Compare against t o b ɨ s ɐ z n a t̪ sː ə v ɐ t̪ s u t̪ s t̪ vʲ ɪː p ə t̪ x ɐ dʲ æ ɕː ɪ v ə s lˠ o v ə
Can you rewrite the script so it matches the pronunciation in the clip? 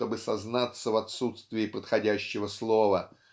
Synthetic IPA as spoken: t o b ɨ s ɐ z n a t̪ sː ə v ɐ t̪ s u t̪ s t̪ vʲ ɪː p ə t̪ x ɐ dʲ æ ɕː ɪ v ə s lˠ o v ə